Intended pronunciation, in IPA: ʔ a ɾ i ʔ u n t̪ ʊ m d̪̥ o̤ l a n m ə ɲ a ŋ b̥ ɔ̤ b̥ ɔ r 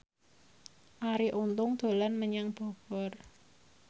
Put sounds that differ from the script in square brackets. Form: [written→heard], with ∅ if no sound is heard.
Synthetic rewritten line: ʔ a ɾ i ʔ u n t̪ ʊ [m→ŋ] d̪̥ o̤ l a n m ə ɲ a ŋ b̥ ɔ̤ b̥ ɔ r

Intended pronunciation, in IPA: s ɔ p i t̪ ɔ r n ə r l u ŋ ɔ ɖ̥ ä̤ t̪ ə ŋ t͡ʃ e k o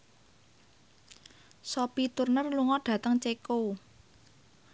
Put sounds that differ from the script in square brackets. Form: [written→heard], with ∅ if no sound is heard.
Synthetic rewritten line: s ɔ p i t̪ [ɔ→u] r n ə r l u ŋ ɔ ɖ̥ ä̤ t̪ ə ŋ t͡ʃ e k o

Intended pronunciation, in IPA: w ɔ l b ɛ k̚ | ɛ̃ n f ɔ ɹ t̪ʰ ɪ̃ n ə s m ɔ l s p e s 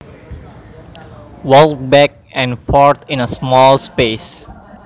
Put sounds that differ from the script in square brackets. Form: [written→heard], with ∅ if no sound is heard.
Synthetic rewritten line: w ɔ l b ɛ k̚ | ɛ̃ n f ɔ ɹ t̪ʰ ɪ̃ n ə s m ɔ l s p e s

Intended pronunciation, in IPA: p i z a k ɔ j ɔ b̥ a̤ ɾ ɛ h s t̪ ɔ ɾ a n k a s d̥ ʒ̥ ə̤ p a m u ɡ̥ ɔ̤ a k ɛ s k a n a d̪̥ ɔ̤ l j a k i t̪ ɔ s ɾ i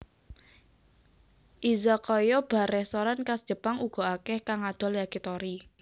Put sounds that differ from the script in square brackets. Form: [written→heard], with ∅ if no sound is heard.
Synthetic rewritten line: [p→ʔ] i z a k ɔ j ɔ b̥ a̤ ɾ ɛ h s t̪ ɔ ɾ a n k a s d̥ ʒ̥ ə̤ p a [m→ŋ] u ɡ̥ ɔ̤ a k ɛ [s→h] k a [n→ŋ] a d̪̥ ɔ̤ l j a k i t̪ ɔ [s→∅] ɾ i

